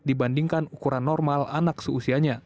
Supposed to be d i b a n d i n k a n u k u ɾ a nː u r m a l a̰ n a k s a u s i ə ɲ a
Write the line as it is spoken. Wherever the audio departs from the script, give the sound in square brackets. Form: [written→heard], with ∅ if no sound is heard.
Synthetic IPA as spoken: d i b a n d i [n→ŋ] k a n u k u ɾ a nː [u→ɔ] r m a l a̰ n a k s [a→ə] u s i [ə→a] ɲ a